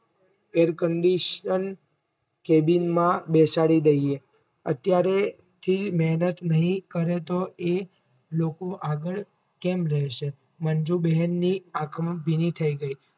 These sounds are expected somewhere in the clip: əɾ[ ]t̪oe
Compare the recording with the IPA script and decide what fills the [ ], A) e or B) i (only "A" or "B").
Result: A